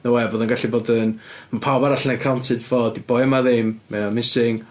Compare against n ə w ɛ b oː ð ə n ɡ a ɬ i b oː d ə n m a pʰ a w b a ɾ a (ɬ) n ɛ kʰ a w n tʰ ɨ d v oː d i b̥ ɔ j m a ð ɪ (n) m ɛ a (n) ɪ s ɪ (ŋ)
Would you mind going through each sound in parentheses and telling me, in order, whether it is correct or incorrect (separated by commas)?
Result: correct, incorrect, incorrect, correct